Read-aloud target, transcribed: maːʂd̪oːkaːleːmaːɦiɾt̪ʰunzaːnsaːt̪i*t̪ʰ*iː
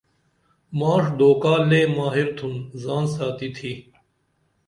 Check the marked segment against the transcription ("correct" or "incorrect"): correct